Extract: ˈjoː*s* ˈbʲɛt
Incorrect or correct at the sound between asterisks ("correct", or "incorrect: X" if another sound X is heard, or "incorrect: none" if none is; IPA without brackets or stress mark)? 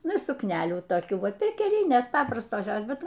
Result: correct